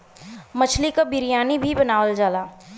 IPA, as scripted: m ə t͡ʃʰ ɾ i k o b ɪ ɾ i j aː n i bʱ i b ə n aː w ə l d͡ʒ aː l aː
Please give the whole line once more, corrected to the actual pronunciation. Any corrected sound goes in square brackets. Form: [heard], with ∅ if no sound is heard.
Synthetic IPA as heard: m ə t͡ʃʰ [l] i k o b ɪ ɾ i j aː n i bʱ i b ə n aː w ə l d͡ʒ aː l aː